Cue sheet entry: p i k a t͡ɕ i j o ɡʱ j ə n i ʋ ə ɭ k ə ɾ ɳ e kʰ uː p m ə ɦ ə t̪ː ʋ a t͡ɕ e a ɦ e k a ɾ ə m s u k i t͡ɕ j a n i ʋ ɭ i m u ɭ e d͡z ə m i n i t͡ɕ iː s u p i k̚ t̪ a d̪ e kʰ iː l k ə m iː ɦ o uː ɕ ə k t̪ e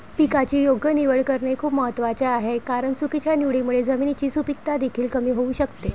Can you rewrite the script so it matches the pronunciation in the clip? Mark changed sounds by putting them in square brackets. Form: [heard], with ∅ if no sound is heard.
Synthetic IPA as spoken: p i k a t͡ɕ [iː] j o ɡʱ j ə n i ʋ ə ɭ k ə ɾ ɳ e kʰ uː p m ə ɦ ə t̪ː ʋ a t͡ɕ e a ɦ e k a ɾ ə [ɳ] s u k i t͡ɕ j a n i ʋ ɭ i m u ɭ e d͡z ə m i n i t͡ɕ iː s u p i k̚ t̪ a d̪ e kʰ iː l k ə m iː ɦ o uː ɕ ə k t̪ e